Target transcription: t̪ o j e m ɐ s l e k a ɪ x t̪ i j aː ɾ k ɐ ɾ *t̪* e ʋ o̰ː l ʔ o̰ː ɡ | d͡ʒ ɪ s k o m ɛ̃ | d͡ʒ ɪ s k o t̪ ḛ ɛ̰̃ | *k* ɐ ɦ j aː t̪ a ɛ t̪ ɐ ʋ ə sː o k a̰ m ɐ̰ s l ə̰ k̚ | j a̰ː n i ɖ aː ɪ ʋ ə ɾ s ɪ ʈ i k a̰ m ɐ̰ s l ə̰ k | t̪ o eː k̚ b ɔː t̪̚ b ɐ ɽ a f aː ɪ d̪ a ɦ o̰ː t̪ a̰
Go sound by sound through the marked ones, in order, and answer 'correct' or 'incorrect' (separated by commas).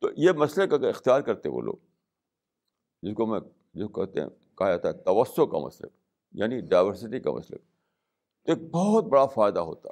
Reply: correct, correct